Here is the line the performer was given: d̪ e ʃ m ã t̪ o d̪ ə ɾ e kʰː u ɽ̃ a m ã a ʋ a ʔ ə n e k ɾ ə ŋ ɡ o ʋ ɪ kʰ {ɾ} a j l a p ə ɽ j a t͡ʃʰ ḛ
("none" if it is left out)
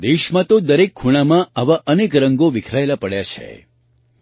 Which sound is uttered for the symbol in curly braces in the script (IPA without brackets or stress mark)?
ɾ